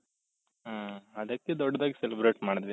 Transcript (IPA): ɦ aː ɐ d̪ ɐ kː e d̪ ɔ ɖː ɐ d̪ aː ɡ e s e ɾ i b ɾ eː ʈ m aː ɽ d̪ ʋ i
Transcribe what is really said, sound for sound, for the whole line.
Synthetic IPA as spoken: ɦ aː ɐ d̪ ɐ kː e d̪ ɔ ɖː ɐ d̪ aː ɡ i s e l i b ɾ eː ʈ m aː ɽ d̪ ʋ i